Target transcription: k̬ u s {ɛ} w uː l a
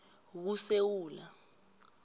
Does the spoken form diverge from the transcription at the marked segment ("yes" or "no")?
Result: yes